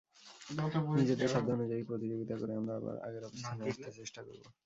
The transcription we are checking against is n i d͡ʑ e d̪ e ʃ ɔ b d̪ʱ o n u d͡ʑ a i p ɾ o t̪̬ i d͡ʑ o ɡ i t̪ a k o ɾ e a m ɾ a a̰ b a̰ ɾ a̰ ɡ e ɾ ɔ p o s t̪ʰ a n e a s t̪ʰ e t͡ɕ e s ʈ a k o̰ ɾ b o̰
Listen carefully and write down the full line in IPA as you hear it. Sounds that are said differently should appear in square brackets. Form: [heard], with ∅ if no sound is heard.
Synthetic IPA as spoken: n i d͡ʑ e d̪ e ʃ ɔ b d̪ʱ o n u d͡ʑ a i p ɾ o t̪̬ i d͡ʑ o ɡ i t̪ a k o ɾ e a m ɾ a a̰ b a̰ ɾ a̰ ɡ e ɾ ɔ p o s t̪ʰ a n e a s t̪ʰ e t͡ɕ e [ʃ] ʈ a k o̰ ɾ b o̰